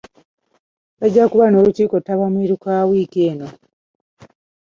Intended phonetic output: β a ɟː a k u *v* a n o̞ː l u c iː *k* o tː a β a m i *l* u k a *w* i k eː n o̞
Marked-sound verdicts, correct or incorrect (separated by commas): incorrect, correct, incorrect, correct